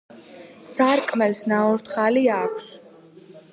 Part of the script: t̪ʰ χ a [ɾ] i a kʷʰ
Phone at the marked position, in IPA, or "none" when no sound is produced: l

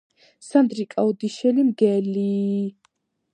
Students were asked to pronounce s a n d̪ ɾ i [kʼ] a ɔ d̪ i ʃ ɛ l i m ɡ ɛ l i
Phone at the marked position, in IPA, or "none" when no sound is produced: kʼ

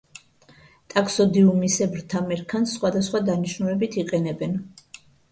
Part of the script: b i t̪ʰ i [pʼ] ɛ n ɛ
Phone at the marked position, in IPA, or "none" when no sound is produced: qʼ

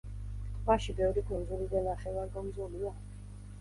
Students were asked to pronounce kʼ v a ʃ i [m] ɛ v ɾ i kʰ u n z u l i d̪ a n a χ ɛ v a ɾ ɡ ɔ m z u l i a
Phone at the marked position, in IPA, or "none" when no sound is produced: b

